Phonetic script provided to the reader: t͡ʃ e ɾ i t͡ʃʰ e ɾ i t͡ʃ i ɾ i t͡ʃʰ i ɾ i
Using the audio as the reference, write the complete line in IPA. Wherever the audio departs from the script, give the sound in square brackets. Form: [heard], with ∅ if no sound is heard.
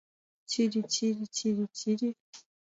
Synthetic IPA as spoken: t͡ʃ [i] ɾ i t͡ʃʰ [i] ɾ i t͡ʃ i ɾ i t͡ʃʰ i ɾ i